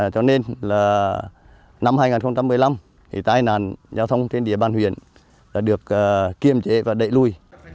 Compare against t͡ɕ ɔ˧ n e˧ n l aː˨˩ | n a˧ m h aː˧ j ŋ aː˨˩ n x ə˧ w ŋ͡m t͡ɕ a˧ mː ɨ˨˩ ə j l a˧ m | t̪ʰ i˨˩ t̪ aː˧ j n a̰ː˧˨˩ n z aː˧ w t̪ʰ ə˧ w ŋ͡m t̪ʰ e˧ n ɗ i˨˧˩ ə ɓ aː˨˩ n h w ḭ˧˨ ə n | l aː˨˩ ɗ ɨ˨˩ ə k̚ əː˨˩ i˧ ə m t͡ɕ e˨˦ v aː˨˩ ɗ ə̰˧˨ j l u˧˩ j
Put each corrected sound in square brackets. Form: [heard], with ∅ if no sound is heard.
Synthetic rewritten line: t͡ɕ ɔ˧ n e˧ n l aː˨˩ | n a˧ m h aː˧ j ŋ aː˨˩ n x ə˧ w ŋ͡m t͡ɕ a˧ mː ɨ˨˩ ə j l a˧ m | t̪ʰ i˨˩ t̪ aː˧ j n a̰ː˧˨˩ n z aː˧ w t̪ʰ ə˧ w ŋ͡m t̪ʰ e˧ n ɗ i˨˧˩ ə ɓ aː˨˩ n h w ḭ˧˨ ə n | l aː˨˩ ɗ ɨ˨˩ ə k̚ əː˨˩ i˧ ə m t͡ɕ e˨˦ v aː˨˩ ɗ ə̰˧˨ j l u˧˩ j